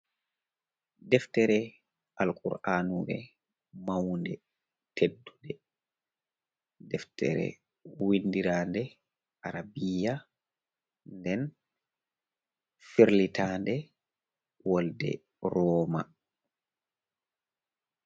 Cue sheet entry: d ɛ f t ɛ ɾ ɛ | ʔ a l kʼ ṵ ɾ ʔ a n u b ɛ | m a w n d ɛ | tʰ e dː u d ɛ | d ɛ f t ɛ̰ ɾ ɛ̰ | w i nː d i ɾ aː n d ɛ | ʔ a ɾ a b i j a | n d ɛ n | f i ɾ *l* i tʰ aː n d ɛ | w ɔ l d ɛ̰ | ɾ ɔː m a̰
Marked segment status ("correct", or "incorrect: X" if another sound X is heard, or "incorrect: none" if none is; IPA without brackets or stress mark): correct